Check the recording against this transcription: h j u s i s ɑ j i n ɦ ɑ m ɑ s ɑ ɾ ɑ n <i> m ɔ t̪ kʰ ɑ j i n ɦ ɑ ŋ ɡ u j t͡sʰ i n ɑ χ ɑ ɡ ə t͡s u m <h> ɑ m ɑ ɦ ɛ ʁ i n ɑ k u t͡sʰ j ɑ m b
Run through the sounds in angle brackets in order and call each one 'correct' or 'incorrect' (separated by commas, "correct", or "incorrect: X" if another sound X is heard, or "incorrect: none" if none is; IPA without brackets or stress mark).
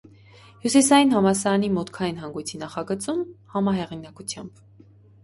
correct, correct